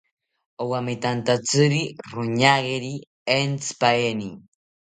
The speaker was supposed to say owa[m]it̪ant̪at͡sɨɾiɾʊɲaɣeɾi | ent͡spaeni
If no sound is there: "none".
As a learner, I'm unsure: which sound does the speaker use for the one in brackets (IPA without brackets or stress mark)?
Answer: m